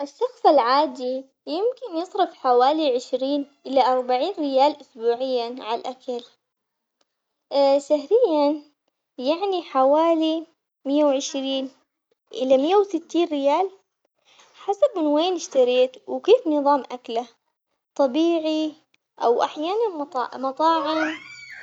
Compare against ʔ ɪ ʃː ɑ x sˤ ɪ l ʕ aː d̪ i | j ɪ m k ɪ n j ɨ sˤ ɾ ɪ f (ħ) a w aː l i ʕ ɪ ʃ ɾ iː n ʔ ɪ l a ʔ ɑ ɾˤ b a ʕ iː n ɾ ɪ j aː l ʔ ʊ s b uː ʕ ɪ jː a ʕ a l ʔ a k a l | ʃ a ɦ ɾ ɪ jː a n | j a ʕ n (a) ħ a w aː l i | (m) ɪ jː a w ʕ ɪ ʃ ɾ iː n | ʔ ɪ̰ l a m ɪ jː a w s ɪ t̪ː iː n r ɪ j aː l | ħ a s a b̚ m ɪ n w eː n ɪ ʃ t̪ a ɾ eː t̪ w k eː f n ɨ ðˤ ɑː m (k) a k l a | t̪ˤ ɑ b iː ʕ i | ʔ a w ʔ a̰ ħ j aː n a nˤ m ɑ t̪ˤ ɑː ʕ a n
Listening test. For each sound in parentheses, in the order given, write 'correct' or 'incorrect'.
correct, incorrect: i, correct, incorrect: ʔ

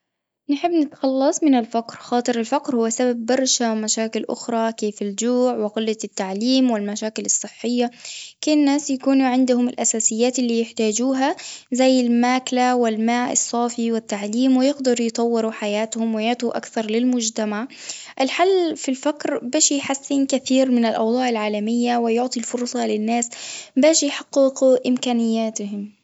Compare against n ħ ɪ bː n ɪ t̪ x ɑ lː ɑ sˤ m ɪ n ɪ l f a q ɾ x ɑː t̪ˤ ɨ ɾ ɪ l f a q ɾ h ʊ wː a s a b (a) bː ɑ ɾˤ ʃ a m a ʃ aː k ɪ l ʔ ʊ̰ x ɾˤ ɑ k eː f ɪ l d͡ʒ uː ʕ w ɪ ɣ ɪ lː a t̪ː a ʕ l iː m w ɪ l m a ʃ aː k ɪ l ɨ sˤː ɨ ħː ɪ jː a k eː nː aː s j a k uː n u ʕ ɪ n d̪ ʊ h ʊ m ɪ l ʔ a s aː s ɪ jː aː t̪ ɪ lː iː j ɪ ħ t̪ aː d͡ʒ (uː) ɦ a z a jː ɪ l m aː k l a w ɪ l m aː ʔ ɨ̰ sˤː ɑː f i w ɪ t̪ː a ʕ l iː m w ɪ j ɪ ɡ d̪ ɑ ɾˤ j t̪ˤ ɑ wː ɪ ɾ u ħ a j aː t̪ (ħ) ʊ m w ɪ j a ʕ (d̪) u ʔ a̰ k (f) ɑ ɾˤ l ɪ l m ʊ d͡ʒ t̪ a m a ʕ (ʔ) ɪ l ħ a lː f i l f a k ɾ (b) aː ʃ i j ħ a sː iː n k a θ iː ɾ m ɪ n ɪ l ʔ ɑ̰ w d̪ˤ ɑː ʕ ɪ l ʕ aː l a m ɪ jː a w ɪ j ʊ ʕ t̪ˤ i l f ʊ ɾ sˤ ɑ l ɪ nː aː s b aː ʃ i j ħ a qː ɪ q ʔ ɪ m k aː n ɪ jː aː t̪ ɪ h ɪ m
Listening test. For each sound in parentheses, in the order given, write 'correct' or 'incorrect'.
correct, correct, incorrect: h, incorrect: t̪, incorrect: θ, correct, correct

